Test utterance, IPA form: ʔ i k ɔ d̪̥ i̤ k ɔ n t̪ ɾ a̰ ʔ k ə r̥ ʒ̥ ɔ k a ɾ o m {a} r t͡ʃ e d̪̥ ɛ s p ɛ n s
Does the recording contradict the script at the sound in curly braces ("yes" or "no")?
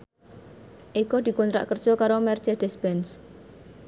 yes